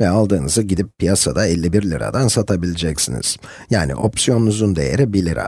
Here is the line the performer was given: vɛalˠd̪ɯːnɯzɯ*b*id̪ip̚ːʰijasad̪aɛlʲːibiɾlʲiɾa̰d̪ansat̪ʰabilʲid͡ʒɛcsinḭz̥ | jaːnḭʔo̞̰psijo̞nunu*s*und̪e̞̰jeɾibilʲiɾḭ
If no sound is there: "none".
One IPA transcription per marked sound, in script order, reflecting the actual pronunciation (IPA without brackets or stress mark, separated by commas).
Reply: ɟ, z